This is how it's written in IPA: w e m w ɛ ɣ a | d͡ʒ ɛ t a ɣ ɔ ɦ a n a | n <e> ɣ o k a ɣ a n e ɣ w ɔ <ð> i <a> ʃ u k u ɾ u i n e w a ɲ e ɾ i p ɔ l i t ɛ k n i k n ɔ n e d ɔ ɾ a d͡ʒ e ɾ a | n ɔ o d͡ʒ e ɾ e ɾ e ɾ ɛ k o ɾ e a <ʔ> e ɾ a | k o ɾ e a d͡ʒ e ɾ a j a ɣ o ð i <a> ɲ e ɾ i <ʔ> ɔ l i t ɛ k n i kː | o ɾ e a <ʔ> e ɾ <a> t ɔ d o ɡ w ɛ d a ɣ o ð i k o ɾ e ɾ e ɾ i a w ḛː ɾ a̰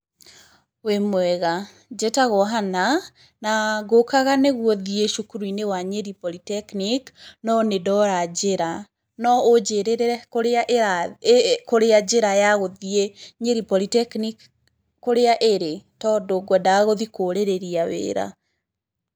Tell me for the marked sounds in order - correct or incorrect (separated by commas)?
incorrect, correct, incorrect, correct, incorrect, incorrect, correct, incorrect